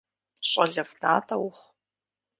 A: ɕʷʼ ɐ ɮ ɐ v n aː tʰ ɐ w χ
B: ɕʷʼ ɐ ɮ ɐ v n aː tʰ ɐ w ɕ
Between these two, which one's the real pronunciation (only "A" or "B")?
A